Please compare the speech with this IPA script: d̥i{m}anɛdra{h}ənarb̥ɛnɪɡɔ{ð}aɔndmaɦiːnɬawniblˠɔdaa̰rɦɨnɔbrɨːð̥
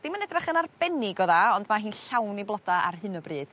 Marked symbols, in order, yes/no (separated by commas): yes, no, yes